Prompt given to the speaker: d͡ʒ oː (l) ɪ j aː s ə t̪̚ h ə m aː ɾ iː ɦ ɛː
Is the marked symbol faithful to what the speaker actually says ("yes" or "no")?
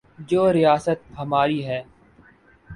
no